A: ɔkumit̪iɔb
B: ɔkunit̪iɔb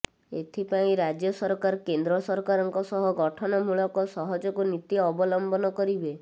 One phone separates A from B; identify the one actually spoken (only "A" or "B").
B